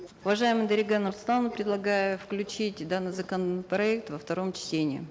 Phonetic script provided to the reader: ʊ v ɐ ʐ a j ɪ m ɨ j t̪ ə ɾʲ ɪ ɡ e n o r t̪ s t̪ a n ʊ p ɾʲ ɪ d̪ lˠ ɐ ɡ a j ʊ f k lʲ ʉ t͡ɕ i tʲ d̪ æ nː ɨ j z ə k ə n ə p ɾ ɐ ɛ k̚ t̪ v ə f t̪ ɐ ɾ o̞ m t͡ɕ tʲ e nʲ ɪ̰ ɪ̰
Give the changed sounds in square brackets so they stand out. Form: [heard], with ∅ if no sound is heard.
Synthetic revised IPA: ʊ v ɐ ʐ a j ɪ m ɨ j [d̪] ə ɾʲ ɪ ɡ [a] n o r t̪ s t̪ a n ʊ p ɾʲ ɪ d̪ lˠ ɐ ɡ a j ʊ f k lʲ ʉ t͡ɕ i tʲ d̪ [a] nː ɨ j z ə k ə n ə p ɾ ɐ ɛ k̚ t̪ v ə f t̪ ɐ ɾ o̞ m t͡ɕ tʲ e nʲ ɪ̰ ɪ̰